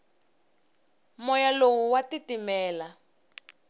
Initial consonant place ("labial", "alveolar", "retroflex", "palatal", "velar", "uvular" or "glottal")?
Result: labial